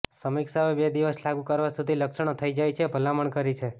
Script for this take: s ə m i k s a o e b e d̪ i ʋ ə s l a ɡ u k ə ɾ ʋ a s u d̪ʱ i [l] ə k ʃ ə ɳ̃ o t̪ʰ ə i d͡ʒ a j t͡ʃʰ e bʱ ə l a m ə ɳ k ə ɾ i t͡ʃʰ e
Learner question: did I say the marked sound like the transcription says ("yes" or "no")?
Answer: yes